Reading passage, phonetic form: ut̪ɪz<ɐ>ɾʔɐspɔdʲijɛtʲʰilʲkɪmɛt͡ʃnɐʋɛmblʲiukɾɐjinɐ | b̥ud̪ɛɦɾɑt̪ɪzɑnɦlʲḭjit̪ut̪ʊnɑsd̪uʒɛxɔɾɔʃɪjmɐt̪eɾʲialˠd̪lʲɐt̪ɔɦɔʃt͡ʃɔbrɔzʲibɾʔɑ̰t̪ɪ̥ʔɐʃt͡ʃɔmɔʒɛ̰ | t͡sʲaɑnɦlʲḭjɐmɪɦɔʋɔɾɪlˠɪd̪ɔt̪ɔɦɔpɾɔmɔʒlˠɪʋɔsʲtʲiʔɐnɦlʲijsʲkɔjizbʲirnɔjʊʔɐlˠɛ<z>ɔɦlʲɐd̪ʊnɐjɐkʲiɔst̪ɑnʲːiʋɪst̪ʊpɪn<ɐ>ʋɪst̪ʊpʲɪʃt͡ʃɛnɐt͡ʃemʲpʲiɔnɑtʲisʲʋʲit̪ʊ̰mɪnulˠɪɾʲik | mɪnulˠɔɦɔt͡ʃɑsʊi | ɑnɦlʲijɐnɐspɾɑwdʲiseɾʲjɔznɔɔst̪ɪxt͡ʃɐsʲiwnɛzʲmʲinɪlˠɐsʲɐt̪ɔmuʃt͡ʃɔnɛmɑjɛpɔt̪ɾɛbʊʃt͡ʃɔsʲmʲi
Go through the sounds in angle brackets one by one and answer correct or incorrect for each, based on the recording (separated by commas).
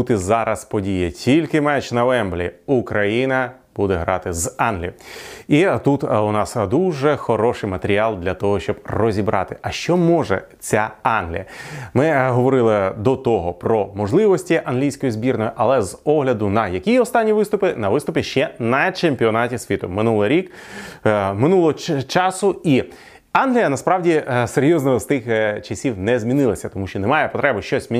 incorrect, correct, correct